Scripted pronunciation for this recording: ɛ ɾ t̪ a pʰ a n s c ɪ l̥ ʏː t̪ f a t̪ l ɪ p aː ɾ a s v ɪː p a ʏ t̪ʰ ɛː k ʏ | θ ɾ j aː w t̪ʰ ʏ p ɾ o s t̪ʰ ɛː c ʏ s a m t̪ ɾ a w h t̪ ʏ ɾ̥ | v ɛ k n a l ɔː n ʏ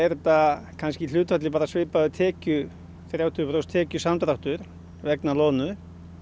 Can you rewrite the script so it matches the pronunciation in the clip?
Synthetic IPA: ɛ ɾ t̪ a kʰ a n s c ɪ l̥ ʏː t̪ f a t̪ l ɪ p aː ɾ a s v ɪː p a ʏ t̪ʰ ɛː c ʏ | θ ɾ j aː w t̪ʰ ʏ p ɾ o s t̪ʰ ɛː c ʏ s a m t̪ ɾ a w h t̪ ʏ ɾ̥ | v ɛ k n a l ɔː n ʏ